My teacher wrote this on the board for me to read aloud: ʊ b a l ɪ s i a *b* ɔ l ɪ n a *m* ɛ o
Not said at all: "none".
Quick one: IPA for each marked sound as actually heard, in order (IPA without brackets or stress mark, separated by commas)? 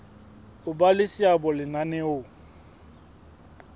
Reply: b, n